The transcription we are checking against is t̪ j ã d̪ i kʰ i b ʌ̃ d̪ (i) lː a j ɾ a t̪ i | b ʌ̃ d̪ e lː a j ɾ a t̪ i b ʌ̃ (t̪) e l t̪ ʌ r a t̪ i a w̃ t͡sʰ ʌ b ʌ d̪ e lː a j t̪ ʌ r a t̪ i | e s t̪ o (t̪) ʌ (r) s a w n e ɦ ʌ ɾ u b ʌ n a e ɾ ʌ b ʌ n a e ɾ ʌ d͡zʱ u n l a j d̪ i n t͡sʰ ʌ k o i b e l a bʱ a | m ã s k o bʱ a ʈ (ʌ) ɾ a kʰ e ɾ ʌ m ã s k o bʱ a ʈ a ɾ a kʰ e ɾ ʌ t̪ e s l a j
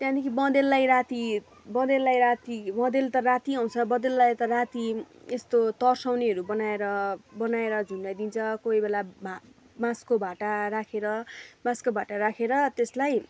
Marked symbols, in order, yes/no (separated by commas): no, no, yes, yes, no